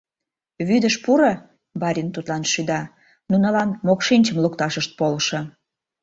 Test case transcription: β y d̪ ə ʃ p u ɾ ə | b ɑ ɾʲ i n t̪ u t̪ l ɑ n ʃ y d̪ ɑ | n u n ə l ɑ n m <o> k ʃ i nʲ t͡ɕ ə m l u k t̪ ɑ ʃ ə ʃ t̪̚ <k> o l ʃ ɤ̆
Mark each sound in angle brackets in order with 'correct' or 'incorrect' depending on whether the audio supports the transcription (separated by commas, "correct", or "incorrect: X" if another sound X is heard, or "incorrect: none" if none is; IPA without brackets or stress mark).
correct, incorrect: p